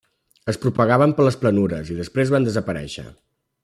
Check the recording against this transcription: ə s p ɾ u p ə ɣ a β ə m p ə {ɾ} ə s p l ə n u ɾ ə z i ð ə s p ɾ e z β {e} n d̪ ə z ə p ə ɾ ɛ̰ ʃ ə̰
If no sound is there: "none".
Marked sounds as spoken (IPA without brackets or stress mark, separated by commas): l, a